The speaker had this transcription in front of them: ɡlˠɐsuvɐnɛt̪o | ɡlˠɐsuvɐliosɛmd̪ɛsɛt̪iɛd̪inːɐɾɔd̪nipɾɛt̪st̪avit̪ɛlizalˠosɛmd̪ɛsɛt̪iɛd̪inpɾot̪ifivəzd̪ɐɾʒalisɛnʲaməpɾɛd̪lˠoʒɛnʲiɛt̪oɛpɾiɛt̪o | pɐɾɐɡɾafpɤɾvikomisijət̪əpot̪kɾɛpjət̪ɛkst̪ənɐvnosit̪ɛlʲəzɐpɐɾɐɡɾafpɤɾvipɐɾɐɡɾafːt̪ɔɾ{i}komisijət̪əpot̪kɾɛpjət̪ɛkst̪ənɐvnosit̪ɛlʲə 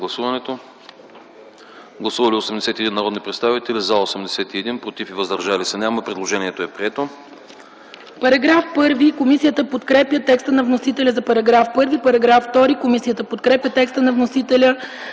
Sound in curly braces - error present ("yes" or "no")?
no